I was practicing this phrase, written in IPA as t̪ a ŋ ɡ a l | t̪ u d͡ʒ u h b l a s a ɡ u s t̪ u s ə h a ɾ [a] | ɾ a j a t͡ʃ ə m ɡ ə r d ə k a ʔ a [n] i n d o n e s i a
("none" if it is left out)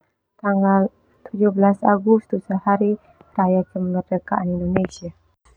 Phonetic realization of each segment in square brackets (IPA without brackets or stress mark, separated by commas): i, n